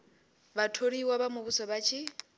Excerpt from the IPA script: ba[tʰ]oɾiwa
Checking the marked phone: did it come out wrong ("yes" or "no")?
no